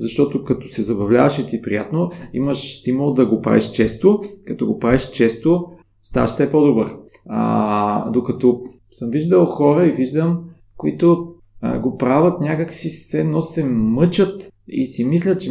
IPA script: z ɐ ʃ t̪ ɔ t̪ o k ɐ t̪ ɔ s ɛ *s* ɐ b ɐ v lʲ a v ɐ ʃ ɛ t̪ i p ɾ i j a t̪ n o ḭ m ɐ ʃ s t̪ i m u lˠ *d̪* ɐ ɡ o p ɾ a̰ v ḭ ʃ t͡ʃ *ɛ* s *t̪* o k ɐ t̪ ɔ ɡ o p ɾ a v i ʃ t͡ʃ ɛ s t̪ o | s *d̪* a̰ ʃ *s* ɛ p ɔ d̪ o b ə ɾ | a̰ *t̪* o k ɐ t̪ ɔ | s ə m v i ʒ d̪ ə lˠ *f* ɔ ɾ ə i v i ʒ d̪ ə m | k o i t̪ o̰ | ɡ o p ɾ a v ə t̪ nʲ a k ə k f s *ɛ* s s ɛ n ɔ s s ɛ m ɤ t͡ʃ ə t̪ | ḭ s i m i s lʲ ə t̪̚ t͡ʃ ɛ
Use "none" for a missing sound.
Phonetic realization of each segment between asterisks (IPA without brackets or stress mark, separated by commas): z, d̪, ɛ, t̪, t̪, s, d̪, x, i